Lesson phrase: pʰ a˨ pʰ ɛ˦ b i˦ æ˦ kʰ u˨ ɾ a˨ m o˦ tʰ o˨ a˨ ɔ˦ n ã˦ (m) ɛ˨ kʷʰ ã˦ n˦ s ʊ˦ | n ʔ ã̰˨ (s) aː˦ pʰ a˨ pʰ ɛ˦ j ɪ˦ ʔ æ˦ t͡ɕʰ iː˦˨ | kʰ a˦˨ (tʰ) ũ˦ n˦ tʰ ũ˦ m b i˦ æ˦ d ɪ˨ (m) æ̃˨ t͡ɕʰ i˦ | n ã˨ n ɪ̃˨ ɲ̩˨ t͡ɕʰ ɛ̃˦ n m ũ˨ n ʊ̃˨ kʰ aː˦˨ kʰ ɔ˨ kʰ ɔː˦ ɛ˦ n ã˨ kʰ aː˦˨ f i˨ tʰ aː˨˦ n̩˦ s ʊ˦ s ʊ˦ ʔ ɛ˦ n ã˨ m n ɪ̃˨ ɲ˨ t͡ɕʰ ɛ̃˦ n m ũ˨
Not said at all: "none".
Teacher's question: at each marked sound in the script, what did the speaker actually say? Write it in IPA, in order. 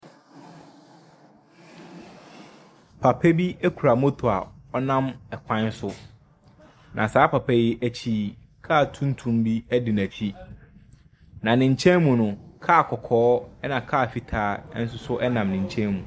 m, s, tʰ, n

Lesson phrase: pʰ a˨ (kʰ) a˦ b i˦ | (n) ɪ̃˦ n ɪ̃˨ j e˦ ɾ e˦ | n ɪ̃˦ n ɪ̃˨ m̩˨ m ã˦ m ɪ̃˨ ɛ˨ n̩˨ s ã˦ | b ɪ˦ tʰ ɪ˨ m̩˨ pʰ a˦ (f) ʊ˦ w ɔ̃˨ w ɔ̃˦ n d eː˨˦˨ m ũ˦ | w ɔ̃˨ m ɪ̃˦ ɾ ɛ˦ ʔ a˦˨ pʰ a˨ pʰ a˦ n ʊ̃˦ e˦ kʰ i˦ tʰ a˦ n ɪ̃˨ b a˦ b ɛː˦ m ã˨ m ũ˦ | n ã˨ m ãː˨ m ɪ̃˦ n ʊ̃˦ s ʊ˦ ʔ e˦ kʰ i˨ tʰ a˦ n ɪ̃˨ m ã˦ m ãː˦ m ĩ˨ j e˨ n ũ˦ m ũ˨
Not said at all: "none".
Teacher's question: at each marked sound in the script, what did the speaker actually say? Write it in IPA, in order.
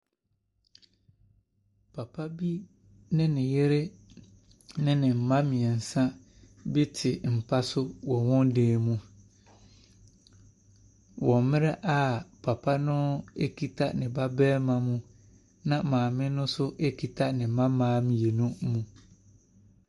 pʰ, n, s

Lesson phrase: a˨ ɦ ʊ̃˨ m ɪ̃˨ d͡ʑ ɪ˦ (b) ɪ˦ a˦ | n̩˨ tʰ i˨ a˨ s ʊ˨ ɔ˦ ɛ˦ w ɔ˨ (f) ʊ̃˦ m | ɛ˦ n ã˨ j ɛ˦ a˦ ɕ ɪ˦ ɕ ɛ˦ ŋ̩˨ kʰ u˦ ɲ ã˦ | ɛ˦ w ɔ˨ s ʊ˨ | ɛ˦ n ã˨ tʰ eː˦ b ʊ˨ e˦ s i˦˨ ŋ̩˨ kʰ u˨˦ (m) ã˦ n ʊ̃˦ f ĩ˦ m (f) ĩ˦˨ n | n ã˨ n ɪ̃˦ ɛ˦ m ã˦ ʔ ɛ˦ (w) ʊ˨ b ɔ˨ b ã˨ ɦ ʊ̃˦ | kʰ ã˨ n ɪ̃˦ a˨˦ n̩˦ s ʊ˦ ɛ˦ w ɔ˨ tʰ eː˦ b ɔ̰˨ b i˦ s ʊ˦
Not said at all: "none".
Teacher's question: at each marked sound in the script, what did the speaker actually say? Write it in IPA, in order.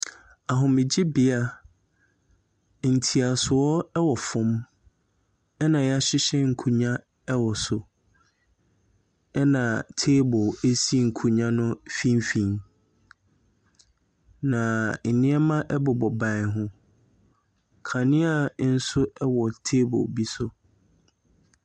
b, f, ɲ, f, b

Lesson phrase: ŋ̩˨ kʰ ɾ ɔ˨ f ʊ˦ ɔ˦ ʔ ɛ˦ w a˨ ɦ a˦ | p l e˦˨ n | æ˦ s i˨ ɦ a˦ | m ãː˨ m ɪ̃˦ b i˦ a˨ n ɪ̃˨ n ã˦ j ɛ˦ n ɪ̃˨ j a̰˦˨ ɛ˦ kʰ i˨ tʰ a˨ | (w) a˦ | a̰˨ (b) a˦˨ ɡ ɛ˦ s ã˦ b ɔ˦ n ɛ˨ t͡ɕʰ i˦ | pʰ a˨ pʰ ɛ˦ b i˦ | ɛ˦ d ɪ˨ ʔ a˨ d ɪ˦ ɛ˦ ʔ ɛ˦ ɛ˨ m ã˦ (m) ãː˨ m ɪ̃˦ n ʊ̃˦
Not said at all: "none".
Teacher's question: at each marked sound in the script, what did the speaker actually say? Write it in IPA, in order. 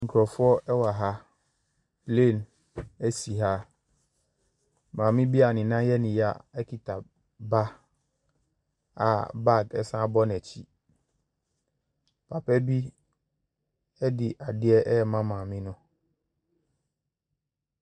b, b, m

